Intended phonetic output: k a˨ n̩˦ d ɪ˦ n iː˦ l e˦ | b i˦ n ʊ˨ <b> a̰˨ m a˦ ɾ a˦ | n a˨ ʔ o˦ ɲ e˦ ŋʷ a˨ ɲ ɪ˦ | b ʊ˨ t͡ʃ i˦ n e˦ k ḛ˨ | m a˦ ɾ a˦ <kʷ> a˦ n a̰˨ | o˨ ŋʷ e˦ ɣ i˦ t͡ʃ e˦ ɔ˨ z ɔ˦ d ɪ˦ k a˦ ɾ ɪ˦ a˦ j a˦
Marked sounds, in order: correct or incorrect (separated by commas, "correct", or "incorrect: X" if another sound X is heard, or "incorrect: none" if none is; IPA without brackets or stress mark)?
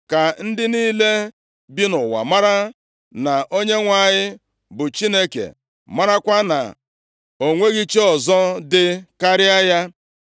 incorrect: w, correct